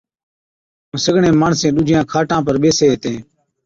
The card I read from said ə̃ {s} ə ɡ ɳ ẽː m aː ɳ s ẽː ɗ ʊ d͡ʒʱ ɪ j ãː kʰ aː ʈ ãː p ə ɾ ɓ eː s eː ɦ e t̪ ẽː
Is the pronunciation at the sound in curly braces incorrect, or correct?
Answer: correct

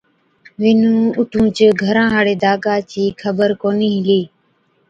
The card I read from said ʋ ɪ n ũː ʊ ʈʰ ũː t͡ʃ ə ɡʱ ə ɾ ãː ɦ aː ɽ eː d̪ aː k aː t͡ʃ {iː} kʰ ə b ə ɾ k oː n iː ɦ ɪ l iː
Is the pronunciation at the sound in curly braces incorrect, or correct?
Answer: correct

